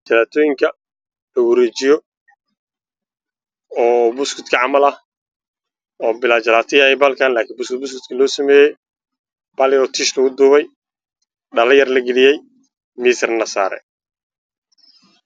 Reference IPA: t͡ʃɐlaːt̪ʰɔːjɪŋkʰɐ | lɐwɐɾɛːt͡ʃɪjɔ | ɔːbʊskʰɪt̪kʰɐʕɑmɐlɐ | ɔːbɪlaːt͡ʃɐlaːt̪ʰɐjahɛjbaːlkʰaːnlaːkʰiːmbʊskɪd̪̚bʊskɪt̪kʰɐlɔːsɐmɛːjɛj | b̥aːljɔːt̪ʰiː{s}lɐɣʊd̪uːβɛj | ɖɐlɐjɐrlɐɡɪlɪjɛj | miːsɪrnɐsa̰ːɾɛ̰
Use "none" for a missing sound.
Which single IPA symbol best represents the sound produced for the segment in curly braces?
ʃ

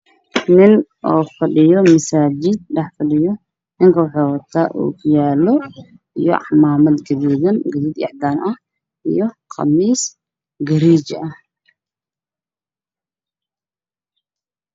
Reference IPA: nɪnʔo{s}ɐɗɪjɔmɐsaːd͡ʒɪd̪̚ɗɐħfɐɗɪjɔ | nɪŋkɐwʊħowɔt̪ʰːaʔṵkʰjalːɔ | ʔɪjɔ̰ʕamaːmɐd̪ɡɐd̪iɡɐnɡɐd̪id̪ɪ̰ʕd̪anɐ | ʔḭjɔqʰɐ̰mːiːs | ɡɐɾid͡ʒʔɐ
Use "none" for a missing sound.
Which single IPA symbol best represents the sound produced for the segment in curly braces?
f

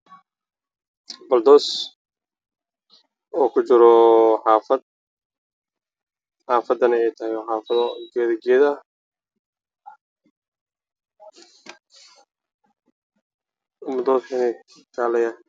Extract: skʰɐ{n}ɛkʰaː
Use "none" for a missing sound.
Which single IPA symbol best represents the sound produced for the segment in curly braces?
n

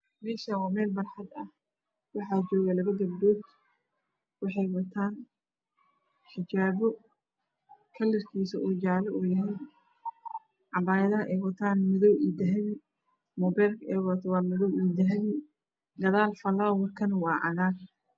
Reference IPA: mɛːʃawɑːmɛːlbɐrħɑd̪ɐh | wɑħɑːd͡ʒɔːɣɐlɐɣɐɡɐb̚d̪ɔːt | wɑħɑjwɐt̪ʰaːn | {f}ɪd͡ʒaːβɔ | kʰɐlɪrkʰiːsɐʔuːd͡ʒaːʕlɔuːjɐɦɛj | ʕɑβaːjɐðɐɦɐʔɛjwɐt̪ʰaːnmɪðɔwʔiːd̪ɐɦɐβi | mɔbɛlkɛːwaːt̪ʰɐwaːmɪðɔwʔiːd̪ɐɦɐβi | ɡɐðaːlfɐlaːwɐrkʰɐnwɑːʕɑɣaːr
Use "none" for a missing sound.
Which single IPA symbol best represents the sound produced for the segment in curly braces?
ħ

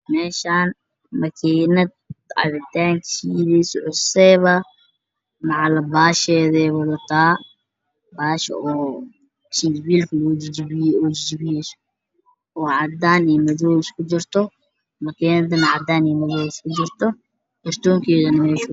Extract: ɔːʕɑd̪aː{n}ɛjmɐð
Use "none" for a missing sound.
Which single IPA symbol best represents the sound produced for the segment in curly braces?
n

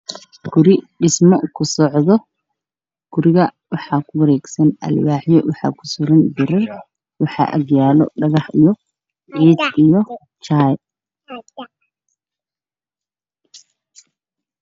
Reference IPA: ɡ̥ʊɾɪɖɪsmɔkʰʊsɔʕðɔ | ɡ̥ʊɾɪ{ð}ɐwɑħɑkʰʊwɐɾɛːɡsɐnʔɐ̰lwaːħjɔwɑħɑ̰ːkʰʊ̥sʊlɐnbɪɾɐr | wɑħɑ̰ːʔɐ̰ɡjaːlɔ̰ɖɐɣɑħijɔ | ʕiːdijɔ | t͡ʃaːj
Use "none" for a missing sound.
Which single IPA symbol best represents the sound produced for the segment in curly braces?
ɣ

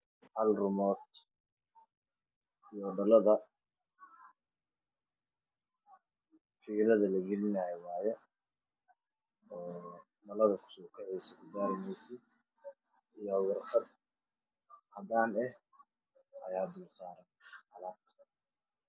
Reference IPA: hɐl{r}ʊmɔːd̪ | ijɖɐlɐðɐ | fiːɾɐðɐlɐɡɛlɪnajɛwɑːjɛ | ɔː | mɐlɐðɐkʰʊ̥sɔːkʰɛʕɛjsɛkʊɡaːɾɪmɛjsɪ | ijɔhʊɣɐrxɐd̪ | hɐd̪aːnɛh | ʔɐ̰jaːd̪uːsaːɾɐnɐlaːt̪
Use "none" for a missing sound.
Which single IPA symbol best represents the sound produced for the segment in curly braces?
r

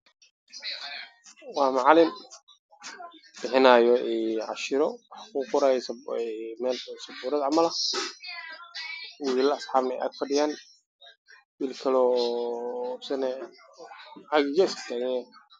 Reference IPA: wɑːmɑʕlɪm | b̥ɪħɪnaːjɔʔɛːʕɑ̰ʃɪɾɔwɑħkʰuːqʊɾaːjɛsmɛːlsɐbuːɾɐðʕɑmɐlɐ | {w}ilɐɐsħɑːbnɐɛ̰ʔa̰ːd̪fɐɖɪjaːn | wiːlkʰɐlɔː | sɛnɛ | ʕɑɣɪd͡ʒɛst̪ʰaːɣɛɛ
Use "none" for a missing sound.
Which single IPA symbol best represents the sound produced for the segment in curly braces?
w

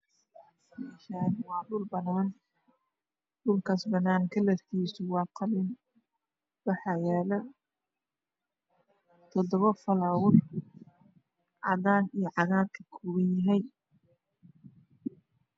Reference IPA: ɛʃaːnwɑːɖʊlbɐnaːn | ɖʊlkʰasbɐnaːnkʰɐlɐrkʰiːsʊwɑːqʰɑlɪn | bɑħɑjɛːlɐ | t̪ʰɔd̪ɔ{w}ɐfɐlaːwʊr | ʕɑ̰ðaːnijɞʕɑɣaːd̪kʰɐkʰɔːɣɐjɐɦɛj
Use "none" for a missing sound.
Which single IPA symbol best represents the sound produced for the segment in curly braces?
β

